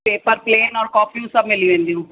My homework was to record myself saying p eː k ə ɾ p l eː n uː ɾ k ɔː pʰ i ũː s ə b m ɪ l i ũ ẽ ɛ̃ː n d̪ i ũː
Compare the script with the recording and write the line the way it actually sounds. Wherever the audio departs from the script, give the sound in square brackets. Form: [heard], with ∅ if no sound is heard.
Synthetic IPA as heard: p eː [p] ə ɾ p l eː n [ɔː] ɾ k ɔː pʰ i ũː s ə b m ɪ l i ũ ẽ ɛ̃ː n d̪ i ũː